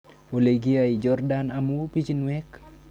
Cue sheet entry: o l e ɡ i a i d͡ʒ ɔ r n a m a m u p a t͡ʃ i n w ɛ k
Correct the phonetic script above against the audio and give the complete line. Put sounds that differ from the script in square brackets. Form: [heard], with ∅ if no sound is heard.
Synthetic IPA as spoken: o l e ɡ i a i d͡ʒ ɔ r [d] a [n] a m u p [i] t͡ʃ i n w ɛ k